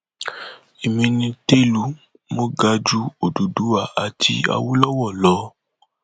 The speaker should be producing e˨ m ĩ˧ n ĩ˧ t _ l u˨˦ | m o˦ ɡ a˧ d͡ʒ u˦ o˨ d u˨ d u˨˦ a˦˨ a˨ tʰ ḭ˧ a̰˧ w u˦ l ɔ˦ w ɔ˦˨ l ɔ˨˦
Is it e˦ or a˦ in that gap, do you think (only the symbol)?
e˦